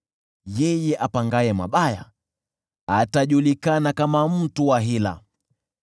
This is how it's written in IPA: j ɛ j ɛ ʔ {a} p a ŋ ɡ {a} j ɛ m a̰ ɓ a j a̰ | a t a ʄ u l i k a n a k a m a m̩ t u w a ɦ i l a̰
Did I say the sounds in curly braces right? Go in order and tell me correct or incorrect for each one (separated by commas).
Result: correct, correct